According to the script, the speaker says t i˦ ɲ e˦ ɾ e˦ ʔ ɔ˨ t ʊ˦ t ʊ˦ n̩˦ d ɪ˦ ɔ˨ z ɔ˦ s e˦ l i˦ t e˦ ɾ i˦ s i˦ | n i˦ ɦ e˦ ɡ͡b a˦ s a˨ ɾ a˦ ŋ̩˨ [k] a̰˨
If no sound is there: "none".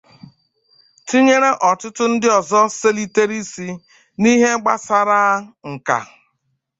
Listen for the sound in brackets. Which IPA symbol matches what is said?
k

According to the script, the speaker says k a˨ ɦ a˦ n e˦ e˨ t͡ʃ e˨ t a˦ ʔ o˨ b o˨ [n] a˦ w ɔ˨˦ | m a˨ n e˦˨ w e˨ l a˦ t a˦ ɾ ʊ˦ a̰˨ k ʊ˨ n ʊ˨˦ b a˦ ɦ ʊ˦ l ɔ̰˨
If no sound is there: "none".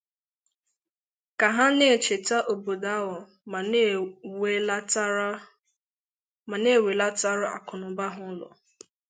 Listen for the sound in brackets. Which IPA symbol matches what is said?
d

